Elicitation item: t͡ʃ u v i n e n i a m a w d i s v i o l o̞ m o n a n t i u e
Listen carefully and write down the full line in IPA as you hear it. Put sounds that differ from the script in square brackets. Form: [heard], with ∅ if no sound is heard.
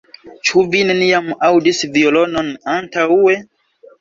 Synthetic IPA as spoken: t͡ʃ u v i n e n i a m a w d i s v i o l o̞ [n] o n a n t [a] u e